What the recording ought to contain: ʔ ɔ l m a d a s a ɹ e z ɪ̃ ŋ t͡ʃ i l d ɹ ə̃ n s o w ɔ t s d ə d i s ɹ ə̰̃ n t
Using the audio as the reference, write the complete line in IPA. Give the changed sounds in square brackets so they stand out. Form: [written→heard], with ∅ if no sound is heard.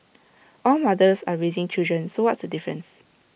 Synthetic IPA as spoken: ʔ ɔ l m a d [a→ə] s a ɹ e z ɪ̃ ŋ t͡ʃ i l d ɹ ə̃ n s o w ɔ t s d ə d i [s→f] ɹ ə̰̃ n [t→s]